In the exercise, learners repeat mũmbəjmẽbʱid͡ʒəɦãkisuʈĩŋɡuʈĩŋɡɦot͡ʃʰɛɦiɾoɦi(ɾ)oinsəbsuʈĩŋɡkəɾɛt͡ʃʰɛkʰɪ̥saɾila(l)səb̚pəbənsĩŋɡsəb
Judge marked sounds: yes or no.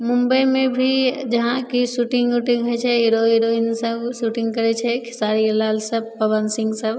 yes, yes

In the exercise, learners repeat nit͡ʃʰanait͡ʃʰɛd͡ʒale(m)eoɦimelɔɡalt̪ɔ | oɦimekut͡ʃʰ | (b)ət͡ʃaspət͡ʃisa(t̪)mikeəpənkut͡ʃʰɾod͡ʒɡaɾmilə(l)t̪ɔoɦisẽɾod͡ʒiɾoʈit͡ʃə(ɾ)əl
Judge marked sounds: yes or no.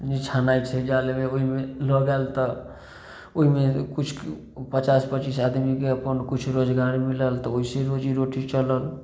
yes, no, no, yes, no

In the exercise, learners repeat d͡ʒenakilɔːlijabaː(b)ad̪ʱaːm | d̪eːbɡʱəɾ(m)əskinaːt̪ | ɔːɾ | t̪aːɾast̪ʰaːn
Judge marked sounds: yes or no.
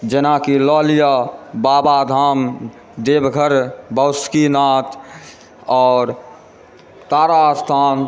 yes, no

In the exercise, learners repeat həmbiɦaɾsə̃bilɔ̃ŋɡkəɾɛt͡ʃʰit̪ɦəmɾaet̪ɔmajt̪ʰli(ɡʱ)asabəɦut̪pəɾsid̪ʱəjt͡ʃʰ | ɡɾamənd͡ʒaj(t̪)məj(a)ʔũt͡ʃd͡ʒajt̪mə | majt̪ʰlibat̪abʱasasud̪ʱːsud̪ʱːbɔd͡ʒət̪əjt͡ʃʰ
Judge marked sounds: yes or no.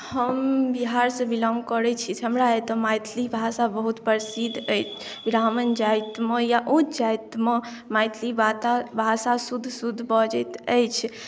no, yes, yes

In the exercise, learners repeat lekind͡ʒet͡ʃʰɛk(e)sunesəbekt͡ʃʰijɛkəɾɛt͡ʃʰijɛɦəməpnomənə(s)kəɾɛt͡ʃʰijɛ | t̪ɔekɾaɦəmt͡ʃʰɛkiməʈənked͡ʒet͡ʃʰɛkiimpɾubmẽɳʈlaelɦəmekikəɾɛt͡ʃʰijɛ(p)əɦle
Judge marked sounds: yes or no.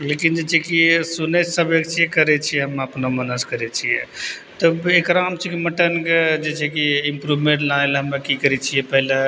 no, yes, yes

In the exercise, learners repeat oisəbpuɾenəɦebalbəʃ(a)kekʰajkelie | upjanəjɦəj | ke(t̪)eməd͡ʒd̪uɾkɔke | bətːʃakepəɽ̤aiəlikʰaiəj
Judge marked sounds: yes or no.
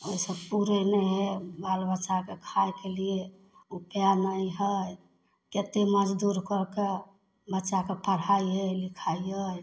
yes, yes

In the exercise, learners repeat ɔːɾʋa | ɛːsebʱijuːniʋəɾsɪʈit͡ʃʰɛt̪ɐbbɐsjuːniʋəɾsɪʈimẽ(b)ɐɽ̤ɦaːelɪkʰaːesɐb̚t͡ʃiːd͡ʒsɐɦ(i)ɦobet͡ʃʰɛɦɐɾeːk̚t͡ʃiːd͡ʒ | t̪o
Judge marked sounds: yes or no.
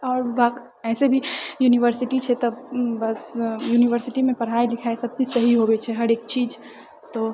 no, yes

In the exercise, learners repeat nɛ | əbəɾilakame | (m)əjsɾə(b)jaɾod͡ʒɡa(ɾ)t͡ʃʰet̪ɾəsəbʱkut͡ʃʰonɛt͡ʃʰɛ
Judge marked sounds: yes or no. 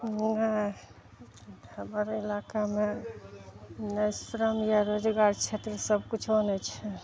no, no, yes

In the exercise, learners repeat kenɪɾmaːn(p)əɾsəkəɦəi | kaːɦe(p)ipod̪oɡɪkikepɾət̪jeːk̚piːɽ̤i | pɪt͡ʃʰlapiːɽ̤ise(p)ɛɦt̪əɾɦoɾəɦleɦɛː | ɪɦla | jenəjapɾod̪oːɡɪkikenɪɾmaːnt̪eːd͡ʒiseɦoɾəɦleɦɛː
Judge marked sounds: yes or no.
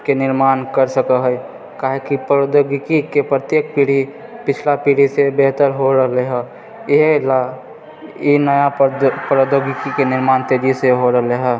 no, no, no

